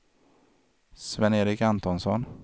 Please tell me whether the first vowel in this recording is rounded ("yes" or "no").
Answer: no